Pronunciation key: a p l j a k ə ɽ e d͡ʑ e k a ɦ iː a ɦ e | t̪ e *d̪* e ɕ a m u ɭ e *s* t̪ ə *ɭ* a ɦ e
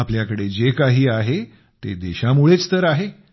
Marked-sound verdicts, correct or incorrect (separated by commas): correct, incorrect, incorrect